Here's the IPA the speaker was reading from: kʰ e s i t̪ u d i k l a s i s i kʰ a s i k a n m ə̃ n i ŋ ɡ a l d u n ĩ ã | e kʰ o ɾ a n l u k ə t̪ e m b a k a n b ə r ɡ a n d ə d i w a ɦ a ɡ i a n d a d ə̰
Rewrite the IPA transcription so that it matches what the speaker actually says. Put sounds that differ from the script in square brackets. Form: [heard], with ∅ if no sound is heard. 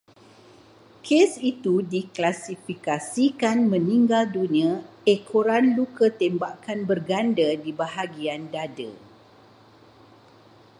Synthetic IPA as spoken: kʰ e s i t̪ u d i k l a s i [f] i [k] a s i k a n m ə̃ n i ŋ ɡ a l d u n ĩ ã | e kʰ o ɾ a n l u k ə t̪ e m b a k a n b ə r ɡ a n d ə d i [b] a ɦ a ɡ i a n d a d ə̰